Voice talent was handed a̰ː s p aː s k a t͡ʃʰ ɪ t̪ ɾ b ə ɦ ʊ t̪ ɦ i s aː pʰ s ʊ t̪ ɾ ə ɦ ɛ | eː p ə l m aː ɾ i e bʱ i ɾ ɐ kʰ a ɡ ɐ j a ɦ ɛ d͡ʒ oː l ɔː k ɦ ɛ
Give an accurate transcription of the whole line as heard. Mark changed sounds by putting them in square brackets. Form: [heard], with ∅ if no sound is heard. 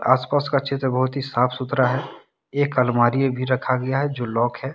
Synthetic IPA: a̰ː s p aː s k a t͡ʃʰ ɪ t̪ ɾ b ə ɦ ʊ t̪ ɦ i s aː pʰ s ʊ t̪ ɾ [a] ɦ ɛ | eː [k] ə l m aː ɾ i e bʱ i ɾ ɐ kʰ a ɡ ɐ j a ɦ ɛ d͡ʒ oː l ɔː k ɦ ɛ